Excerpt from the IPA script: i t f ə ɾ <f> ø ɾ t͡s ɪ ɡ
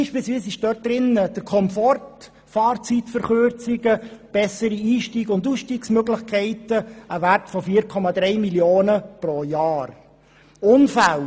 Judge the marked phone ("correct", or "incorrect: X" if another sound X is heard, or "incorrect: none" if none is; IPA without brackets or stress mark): incorrect: χ